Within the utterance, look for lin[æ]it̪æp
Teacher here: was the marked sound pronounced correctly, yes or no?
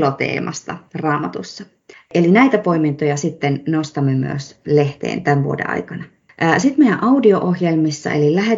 yes